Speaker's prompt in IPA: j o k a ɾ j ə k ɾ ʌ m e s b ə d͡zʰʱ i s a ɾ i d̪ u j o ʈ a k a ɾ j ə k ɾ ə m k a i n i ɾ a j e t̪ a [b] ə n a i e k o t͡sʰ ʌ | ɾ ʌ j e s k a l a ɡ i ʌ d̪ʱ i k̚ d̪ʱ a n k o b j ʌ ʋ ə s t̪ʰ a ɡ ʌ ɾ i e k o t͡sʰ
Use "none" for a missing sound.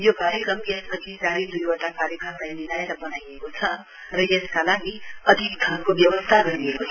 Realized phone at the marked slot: b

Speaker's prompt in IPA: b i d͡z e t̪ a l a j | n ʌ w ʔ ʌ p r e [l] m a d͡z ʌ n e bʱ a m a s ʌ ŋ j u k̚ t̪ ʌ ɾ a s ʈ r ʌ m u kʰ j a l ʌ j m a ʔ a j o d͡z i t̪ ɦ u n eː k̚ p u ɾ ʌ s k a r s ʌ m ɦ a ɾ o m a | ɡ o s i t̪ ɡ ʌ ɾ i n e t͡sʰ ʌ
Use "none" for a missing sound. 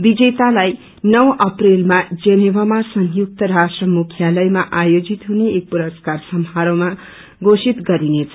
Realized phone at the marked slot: l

